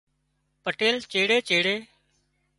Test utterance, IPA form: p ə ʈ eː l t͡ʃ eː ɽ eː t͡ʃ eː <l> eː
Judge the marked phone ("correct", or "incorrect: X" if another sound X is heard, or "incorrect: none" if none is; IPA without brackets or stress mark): incorrect: ɽ